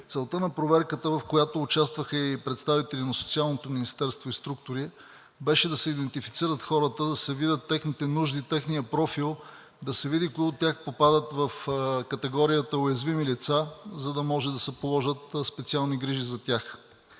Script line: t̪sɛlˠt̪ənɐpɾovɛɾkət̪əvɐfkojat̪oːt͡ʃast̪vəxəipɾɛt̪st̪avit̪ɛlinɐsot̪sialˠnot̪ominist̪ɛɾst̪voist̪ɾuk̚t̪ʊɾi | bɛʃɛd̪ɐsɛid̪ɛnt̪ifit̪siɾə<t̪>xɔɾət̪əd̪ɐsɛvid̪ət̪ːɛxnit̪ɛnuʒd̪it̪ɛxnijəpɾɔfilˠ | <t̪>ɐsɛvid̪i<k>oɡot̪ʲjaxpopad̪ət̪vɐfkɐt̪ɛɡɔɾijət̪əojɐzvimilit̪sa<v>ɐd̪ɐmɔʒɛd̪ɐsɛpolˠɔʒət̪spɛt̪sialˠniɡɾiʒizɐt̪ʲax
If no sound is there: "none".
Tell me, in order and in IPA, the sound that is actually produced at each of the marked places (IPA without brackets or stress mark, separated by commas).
t̪, d̪, k, z